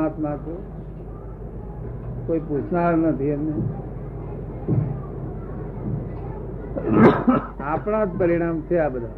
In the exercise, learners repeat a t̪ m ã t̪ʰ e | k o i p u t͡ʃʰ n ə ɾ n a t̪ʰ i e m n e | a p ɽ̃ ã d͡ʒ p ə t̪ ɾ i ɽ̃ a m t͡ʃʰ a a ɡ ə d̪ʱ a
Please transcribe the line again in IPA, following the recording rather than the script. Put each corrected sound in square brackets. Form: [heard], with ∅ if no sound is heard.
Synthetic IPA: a t̪ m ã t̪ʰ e | k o i p u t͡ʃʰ n [a] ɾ n [ə] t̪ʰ i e m n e | a p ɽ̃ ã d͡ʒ p ə [∅] ɾ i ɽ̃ a m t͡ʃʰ [e] a [b] ə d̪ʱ a